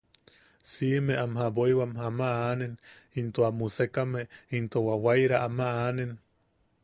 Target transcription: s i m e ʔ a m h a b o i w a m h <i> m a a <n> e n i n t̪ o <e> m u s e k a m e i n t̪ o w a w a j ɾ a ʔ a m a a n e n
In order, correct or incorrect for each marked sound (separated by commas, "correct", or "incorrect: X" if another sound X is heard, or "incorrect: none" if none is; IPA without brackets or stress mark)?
incorrect: a, correct, incorrect: a